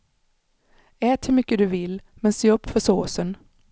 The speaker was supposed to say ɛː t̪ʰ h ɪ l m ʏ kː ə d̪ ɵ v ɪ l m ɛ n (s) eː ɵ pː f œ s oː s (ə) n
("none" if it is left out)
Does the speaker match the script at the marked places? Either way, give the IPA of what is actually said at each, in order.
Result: s, ə

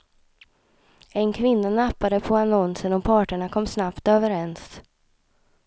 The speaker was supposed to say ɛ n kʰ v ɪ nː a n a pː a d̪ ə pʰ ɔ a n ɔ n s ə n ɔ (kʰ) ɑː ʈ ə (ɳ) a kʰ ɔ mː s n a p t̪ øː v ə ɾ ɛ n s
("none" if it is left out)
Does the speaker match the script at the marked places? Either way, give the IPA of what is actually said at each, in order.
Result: pʰ, ɳ

